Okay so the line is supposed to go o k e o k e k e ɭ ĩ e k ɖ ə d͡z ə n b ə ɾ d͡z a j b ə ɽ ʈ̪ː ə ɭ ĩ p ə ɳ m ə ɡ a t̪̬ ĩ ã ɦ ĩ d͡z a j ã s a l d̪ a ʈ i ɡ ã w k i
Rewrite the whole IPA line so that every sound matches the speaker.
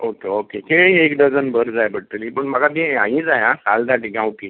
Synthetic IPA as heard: o k e o k e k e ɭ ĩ e k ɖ ə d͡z ə n b ə ɾ d͡z a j b ə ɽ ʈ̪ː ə l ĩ p ə ɳ m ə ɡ a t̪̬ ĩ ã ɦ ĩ d͡z a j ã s a l d̪ a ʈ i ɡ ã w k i